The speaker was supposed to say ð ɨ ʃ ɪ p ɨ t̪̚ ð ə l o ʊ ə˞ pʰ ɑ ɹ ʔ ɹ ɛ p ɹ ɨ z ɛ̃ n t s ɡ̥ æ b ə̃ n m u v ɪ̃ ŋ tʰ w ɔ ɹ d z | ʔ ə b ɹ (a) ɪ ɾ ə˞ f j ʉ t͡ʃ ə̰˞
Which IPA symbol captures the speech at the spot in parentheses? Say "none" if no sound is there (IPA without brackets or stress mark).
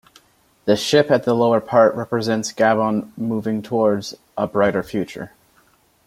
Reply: a